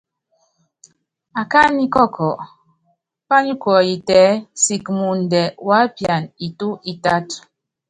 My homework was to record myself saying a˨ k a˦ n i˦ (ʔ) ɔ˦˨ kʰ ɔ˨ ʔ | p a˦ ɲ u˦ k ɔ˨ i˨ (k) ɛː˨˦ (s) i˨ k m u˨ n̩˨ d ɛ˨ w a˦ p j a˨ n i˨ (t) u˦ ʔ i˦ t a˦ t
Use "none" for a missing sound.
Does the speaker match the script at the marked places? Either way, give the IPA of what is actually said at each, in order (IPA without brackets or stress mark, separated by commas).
k, t, s, t